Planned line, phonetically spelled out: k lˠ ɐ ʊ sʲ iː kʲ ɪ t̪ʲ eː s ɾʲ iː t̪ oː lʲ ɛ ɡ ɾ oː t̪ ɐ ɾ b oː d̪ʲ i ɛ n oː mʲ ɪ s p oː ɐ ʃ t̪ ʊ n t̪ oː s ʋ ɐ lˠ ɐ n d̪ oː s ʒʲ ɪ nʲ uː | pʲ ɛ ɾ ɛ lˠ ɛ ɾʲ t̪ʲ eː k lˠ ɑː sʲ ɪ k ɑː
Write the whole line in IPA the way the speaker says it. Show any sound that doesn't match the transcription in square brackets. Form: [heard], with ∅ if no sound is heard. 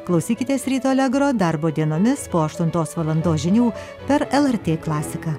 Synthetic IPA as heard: k lˠ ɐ ʊ sʲ iː kʲ ɪ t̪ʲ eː s ɾʲ iː t̪ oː lʲ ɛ ɡ ɾ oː [d̪] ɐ ɾ b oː d̪ʲ i ɛ n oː mʲ ɪ s p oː ɐ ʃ t̪ ʊ n t̪ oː s ʋ ɐ lˠ ɐ n d̪ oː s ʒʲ ɪ nʲ uː | pʲ ɛ ɾ ɛ lˠ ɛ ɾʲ t̪ʲ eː k lˠ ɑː sʲ ɪ k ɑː